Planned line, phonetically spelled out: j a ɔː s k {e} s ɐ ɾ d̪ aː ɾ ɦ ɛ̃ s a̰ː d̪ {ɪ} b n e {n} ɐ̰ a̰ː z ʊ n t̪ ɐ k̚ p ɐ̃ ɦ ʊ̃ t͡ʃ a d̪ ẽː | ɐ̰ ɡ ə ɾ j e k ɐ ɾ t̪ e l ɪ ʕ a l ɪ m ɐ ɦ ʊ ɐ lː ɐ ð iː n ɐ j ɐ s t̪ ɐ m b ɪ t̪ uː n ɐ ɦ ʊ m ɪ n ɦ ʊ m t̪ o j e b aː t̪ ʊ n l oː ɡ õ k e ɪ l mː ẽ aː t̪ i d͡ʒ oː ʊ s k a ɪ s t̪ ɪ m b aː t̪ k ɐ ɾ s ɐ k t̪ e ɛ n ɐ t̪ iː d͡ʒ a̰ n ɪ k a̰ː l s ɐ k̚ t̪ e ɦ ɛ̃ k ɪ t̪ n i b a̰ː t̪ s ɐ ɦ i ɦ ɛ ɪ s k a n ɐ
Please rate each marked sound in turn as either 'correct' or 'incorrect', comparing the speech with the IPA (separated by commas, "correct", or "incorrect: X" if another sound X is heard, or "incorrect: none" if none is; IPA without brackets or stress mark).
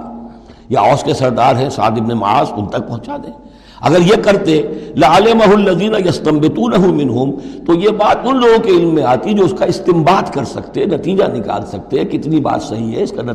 correct, correct, incorrect: m